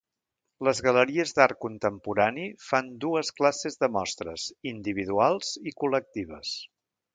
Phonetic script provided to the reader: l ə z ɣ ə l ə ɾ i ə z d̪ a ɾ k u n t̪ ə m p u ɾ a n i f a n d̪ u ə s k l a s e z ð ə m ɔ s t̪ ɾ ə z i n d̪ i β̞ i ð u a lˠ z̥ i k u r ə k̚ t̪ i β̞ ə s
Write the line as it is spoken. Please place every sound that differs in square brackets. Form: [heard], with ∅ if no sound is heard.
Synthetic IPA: l ə z ɣ ə l ə ɾ i ə z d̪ a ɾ k u n t̪ ə m p u ɾ a n i f a n d̪ u ə s k l a s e z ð ə m ɔ s t̪ ɾ ə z i n d̪ i β̞ i ð u a lˠ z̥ i k u [l] ə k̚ t̪ i β̞ ə s

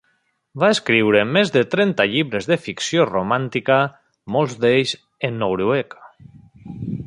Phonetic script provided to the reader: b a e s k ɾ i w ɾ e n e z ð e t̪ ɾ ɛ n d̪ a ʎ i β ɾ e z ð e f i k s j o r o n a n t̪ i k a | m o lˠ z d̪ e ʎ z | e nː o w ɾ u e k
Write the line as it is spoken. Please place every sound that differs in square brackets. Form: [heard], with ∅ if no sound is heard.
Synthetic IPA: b a e s k ɾ i w ɾ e [m] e z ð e t̪ ɾ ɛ n [t̪] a ʎ i β ɾ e z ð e f i k s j o r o [m] a n t̪ i k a | m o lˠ z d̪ e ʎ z | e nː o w ɾ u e k

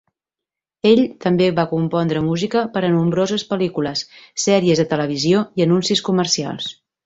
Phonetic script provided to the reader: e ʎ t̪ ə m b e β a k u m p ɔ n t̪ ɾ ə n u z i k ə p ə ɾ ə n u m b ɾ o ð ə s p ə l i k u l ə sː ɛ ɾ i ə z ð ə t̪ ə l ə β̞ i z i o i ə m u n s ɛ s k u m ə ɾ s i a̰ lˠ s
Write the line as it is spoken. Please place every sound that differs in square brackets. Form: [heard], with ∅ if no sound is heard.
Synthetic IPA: e ʎ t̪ ə m b e β a k u m p ɔ n [d̪] ɾ ə [m] u z i k ə p ə ɾ ə n u m b ɾ o [z] ə s p ə l i k u l ə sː ɛ ɾ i ə z ð ə t̪ ə l ə β̞ i z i o i ə [n] u n s [i] s k u m ə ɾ s i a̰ lˠ s

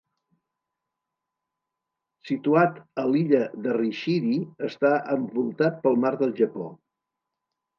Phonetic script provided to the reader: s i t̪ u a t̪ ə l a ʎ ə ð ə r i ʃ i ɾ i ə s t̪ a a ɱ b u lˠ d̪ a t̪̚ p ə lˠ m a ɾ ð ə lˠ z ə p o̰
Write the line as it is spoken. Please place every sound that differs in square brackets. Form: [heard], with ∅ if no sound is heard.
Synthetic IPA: s i t̪ u a t̪ ə l [i] ʎ ə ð ə r i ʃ i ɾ i ə s t̪ a [ə] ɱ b u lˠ [t̪] a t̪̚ p ə lˠ m a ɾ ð ə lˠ [ʒ] ə p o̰

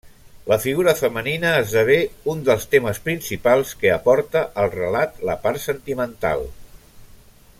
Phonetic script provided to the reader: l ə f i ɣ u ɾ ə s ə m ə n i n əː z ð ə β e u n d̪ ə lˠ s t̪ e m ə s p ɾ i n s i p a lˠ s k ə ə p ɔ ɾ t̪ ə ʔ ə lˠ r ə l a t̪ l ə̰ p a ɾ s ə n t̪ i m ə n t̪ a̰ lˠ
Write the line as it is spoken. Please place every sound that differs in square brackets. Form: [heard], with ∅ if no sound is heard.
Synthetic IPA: l ə f i ɣ u ɾ ə [f] ə m ə n i n əː z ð ə β e u n d̪ ə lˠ s t̪ e m ə s p ɾ i n s i p a lˠ s k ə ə p ɔ ɾ t̪ ə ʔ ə lˠ r ə l a t̪ l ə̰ p a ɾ s ə n t̪ i m ə n t̪ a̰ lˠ

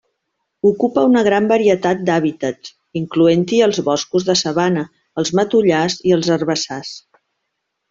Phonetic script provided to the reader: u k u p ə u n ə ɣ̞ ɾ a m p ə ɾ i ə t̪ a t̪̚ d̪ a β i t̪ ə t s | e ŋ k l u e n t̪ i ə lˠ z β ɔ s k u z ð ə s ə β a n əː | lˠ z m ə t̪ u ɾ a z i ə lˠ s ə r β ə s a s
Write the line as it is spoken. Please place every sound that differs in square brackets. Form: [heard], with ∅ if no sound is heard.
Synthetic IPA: u k u p ə u n ə ɣ̞ ɾ a m [b] ə ɾ i ə t̪ a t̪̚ d̪ a β i t̪ ə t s | [i] ŋ k l u e n t̪ i ə lˠ z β ɔ s k u z ð ə s ə β a n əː | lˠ z m ə t̪ u [ʎ] a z i ə lˠ [z] ə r β ə s a s

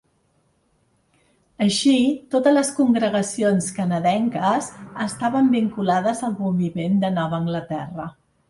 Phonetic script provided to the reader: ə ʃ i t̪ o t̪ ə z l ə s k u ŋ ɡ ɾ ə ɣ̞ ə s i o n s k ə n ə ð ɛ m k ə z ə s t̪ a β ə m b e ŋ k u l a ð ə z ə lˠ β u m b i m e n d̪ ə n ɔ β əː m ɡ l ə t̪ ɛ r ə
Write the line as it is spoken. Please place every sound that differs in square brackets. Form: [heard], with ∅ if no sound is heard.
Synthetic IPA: ə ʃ i t̪ o t̪ ə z l ə s k u ŋ ɡ ɾ ə ɣ̞ ə s i o n s k ə n ə ð ɛ [ŋ] k ə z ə s t̪ a β ə m b [i] ŋ k u l a ð ə z ə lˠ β u m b i m e n d̪ ə n ɔ β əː [ŋ] ɡ l ə t̪ ɛ r ə

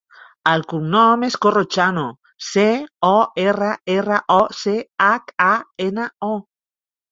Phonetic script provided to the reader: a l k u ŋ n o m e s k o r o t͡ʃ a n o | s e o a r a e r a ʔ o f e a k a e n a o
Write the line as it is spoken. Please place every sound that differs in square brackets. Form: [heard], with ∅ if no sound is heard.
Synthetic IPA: a l k u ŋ n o m e s k o r o t͡ʃ a n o | s e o [e] r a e r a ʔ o [s] e a k a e n a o

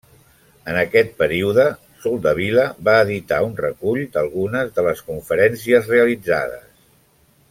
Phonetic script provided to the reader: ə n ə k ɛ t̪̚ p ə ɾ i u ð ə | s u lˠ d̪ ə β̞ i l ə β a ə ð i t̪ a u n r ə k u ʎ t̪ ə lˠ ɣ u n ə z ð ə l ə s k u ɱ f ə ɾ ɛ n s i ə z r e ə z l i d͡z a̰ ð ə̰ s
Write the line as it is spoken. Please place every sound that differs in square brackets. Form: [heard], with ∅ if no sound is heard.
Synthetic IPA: ə n ə k ɛ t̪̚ p ə ɾ i u ð ə | s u lˠ d̪ ə β̞ i l ə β a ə ð i t̪ a u n r ə k u ʎ [d̪] ə lˠ ɣ u n ə z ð ə l ə s k u ɱ f ə ɾ ɛ n s i ə z r e ə [∅] l i d͡z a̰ ð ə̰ s

